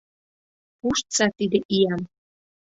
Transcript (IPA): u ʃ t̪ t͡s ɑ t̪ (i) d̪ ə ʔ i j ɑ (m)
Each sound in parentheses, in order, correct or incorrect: correct, correct

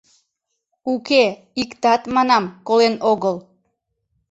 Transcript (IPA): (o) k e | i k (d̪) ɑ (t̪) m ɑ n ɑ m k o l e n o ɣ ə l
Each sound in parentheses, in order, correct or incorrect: incorrect: u, incorrect: t̪, correct

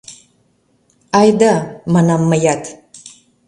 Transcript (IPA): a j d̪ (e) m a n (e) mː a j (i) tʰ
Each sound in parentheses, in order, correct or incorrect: incorrect: a, incorrect: a, incorrect: a

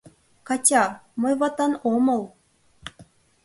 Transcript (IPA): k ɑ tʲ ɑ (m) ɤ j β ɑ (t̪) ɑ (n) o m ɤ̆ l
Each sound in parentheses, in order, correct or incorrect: correct, correct, correct

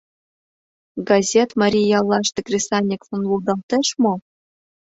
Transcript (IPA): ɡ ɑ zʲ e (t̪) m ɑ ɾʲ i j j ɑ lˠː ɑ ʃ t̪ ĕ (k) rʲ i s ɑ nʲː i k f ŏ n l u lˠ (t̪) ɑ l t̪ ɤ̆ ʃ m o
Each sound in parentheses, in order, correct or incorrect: correct, correct, incorrect: d̪

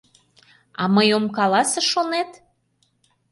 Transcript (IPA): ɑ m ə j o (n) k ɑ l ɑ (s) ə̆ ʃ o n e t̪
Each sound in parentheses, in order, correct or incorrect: incorrect: m, correct

